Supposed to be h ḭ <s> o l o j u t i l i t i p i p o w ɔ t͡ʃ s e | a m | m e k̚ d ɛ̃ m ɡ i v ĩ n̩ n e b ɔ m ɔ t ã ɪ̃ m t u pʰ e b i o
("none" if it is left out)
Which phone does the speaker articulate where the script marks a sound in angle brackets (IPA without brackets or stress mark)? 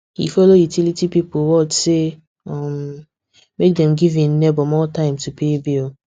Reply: f